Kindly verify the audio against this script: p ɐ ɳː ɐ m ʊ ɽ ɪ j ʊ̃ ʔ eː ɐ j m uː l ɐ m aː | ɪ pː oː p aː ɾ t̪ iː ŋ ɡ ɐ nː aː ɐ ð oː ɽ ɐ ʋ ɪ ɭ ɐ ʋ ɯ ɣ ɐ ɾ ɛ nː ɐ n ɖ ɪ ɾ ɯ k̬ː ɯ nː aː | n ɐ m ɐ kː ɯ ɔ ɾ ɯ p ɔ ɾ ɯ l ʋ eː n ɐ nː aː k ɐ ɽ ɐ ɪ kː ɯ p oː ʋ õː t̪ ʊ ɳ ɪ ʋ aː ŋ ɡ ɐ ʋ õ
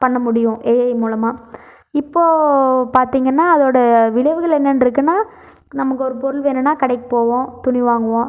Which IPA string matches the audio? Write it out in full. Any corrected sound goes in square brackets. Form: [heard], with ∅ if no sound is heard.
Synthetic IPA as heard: p ɐ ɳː ɐ m ʊ ɽ ɪ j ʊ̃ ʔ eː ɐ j m uː l ɐ m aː | ɪ pː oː p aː ɾ t̪ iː ŋ ɡ ɐ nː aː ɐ ð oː ɽ ɐ ʋ ɪ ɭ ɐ ʋ ɯ ɣ ɐ [ɭ] ɛ nː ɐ n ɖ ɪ ɾ ɯ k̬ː ɯ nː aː | n ɐ m ɐ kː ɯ ɔ ɾ ɯ p ɔ ɾ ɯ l ʋ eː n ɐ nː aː k ɐ ɽ ɐ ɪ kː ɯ p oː ʋ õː t̪ ʊ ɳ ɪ ʋ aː ŋ ɡ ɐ ʋ õ